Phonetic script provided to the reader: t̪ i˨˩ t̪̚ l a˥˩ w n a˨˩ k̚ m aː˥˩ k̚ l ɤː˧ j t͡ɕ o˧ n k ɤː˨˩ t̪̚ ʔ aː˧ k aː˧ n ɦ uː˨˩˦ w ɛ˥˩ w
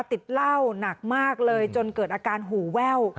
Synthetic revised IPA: t̪ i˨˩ t̪̚ l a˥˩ w n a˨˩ k̚ m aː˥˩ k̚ l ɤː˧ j t͡ɕ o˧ n k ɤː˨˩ t̪̚ ʔ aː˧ k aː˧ n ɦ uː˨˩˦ w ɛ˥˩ w